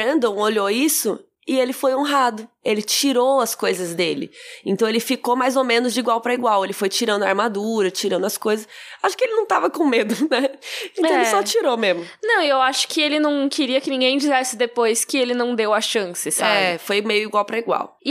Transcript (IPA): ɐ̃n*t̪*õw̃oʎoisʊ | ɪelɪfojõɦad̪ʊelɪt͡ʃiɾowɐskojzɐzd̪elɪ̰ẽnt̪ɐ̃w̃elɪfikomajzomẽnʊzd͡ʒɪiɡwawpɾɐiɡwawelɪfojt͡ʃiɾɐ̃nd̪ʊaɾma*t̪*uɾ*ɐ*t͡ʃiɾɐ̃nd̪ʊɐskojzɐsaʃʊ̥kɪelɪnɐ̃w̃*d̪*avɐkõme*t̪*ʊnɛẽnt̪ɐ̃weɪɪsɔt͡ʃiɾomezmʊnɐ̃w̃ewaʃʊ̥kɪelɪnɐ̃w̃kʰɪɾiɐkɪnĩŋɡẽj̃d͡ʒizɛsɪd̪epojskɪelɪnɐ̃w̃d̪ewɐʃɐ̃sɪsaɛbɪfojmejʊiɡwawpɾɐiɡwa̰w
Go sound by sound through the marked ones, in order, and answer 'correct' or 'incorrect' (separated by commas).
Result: incorrect, incorrect, correct, incorrect, incorrect